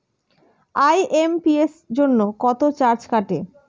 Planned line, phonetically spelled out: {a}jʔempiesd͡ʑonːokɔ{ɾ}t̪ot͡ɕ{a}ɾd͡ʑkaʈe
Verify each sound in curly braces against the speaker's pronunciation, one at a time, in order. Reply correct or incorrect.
correct, incorrect, correct

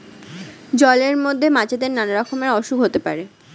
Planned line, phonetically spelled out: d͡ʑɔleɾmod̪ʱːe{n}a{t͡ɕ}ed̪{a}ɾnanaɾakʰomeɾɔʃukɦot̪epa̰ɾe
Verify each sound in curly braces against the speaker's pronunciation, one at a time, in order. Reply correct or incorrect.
incorrect, correct, incorrect

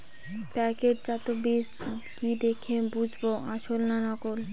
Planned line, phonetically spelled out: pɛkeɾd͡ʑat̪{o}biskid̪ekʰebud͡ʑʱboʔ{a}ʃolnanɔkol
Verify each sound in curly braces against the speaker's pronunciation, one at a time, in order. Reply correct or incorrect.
correct, correct

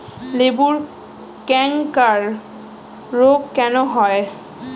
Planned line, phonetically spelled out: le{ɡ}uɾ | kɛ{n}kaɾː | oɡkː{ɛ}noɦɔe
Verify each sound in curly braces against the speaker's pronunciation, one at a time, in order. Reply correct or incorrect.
incorrect, incorrect, correct

